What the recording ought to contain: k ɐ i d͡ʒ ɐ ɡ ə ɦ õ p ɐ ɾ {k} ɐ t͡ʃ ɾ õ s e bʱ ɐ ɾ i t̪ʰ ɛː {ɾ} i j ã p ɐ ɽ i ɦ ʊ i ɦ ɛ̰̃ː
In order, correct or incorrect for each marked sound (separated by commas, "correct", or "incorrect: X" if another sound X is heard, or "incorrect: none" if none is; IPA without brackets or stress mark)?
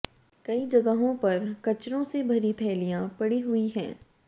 correct, incorrect: l